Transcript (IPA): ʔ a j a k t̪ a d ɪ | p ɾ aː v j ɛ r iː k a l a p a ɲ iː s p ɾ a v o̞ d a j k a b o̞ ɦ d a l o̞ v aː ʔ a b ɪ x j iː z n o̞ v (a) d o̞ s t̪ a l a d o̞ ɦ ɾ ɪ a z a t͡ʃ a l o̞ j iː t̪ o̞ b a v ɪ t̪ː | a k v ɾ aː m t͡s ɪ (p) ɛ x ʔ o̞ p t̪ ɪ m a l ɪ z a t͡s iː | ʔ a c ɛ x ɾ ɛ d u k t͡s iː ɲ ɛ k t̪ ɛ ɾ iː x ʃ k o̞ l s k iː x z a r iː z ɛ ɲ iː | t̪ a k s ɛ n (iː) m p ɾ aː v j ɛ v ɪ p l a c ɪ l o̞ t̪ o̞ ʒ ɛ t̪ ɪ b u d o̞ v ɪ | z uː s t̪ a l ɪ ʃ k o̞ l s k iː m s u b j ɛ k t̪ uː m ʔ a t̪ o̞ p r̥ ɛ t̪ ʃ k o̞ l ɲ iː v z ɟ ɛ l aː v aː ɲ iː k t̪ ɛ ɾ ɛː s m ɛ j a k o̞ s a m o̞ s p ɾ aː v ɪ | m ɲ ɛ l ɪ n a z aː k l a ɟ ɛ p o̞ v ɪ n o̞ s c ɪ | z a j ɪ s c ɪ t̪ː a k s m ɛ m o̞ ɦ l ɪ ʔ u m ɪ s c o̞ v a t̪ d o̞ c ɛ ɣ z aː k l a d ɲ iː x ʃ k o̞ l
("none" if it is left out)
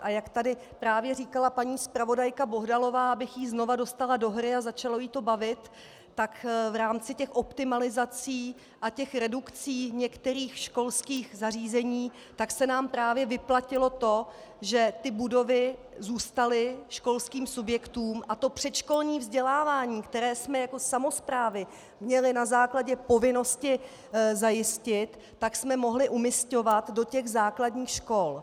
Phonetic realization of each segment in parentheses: a, c, aː

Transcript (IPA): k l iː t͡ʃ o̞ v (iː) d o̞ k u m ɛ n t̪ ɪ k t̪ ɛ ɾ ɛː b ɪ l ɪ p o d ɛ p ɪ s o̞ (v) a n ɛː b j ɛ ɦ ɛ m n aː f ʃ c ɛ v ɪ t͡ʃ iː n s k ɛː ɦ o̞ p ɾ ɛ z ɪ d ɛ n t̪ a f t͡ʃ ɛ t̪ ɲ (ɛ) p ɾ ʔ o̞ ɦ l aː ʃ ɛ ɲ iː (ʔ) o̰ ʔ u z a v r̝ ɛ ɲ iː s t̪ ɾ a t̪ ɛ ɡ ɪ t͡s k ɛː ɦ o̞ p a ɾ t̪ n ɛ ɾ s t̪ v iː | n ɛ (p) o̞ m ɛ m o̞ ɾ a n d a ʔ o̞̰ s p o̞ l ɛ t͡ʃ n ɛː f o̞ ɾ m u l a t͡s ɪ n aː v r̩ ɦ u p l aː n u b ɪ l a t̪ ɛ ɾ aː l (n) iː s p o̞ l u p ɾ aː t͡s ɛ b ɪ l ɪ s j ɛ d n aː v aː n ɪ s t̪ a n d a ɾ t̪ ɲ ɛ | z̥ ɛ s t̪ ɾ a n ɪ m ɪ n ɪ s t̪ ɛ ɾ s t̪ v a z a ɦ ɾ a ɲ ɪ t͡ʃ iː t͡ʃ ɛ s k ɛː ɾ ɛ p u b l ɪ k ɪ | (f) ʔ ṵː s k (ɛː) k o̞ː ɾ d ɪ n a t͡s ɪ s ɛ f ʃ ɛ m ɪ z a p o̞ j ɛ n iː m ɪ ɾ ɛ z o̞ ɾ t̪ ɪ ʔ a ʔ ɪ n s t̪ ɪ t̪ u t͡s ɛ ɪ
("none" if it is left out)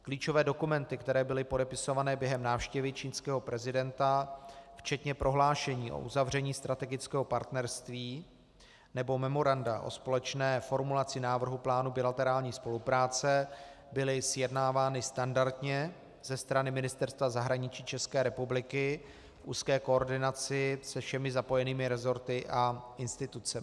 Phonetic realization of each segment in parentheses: ɛː, v, ɛ, ʔ, b, ɲ, f, ɛː

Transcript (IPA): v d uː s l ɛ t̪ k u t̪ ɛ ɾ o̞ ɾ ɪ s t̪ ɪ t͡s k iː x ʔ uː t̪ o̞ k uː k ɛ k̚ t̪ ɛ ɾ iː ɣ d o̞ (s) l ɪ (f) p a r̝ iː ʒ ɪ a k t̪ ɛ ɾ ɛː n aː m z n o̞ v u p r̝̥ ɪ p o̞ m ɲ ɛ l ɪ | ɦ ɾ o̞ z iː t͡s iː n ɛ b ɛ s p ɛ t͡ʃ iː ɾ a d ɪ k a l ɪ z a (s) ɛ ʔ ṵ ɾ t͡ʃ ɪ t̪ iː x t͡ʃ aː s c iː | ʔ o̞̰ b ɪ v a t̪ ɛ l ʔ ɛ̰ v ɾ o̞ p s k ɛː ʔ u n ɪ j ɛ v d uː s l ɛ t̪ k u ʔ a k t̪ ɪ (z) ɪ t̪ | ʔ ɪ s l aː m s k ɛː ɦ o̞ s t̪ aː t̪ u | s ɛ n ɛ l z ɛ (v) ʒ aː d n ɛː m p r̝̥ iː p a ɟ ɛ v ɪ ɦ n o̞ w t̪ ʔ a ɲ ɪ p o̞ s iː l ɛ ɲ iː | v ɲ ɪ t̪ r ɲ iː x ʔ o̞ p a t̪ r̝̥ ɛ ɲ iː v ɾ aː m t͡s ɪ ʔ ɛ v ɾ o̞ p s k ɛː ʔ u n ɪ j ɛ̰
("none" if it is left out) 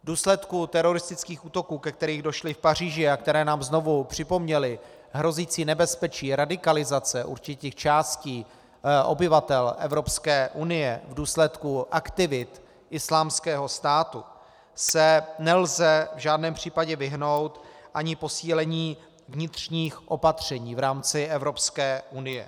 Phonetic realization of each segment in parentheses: ʃ, f, t͡s, v, v

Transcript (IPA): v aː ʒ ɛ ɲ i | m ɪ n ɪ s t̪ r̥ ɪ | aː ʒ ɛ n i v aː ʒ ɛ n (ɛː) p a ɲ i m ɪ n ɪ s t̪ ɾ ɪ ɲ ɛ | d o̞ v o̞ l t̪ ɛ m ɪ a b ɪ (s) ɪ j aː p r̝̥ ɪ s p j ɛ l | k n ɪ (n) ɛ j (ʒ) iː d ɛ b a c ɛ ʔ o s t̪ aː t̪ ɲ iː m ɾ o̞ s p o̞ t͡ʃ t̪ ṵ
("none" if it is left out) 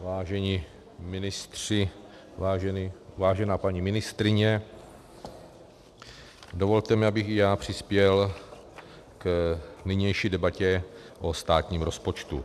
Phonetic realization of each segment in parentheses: aː, x, ɲ, ʃ

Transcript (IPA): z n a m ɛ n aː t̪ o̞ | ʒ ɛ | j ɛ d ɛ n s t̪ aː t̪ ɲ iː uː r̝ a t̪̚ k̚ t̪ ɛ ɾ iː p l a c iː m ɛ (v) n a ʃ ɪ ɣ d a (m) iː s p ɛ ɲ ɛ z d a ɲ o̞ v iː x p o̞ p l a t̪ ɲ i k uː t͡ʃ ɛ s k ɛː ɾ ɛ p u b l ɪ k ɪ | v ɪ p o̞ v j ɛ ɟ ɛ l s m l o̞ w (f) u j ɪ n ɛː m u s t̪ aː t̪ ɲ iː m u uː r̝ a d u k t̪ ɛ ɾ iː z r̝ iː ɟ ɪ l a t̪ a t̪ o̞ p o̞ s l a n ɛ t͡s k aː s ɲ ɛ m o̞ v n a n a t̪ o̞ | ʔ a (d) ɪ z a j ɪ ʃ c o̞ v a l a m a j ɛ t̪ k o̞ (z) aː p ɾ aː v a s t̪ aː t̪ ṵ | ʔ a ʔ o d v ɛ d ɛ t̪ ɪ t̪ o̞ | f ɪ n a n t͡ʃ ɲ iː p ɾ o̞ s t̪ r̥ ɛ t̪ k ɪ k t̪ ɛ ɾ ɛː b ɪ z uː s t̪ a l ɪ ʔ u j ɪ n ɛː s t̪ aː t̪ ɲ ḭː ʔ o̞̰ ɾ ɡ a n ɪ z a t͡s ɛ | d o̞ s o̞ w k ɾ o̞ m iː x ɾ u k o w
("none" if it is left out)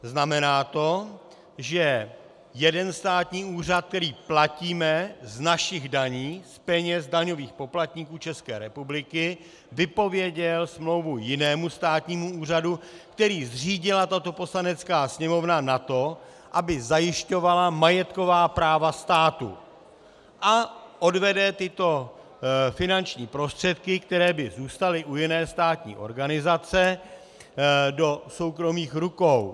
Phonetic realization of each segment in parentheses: z, ɲ, v, b, v

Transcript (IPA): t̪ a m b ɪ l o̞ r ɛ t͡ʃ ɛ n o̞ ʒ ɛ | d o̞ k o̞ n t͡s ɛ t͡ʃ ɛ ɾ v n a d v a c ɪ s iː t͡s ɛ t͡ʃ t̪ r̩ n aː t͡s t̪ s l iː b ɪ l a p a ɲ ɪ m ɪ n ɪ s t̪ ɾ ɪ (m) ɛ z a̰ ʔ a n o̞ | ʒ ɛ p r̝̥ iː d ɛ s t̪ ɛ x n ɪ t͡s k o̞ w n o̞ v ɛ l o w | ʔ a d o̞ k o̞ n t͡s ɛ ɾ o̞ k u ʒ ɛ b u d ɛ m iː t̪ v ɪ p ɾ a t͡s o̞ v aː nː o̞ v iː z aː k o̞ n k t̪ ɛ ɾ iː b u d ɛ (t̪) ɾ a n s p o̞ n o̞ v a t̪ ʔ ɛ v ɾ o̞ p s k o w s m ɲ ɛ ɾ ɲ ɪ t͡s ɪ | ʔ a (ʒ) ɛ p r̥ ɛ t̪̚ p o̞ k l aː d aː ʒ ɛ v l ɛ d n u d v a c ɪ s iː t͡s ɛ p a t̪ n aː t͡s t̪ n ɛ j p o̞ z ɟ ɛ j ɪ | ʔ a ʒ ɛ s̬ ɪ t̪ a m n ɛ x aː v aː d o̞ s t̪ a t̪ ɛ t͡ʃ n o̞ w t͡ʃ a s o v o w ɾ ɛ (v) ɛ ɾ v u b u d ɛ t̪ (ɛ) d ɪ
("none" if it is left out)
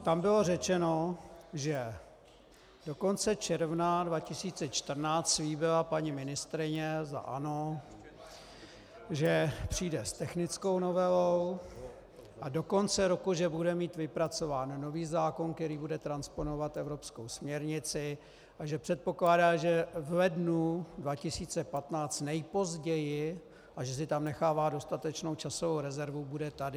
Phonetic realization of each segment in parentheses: ɲ, t̪, ʒ, z, a

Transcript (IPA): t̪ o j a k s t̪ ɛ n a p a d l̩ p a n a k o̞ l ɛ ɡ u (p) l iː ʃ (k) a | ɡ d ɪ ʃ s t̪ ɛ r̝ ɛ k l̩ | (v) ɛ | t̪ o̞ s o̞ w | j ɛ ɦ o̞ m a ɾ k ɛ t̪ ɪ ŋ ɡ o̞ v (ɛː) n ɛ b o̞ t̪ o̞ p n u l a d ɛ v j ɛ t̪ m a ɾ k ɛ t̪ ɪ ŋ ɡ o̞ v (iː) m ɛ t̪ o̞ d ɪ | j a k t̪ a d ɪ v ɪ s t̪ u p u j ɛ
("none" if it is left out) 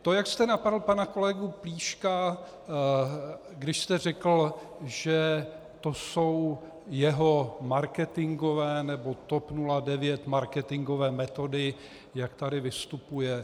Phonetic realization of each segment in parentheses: p, k, ʒ, ɛː, ɛː

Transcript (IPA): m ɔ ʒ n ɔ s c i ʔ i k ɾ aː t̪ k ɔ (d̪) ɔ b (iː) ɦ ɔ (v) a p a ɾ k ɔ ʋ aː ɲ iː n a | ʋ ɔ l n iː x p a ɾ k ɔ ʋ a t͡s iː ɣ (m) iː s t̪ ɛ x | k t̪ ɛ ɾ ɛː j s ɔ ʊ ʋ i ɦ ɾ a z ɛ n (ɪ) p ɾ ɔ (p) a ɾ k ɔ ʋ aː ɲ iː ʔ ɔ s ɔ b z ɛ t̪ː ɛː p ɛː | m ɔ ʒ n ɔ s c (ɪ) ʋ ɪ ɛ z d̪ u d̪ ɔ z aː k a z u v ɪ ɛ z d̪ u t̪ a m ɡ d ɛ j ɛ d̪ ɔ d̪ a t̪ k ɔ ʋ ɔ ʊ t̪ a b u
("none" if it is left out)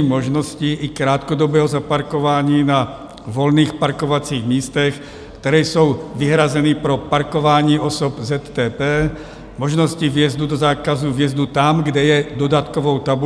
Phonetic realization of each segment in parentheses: d̪, ɛː, z, m, i, p, i

